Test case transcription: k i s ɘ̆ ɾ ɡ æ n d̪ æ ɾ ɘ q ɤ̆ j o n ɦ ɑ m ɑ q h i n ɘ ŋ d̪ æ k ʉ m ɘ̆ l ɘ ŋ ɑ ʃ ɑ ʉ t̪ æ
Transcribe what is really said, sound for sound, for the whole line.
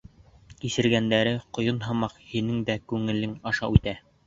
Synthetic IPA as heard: k i s ɘ̆ ɾ ɡ æ n d̪ æ ɾ ɘ q ŏ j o n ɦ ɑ m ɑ q h i n ɘ ŋ d̪ æ k ʉ ŋ ɘ̆ l ɘ ŋ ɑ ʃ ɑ ʉ t̪ æ